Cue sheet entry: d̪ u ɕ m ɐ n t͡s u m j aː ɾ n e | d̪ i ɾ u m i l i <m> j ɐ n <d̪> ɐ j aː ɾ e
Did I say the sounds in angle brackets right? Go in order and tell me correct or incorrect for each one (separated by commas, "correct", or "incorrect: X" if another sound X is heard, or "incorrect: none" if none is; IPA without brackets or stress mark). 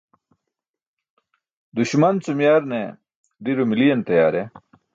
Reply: incorrect: none, incorrect: t̪